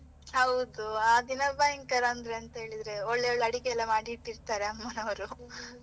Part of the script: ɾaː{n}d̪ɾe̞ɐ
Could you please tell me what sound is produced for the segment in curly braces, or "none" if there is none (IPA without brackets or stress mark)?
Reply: n